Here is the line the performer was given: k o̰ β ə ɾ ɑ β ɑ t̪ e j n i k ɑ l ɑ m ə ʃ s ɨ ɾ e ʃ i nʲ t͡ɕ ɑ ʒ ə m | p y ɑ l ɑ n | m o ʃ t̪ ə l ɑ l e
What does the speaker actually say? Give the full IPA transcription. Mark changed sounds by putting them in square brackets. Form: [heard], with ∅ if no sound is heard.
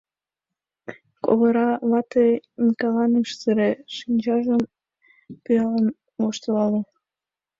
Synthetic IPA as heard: k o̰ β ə ɾ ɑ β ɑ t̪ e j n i k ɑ l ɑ [n] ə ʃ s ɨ ɾ e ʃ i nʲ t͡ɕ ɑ ʒ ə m | p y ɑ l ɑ n | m o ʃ t̪ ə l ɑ l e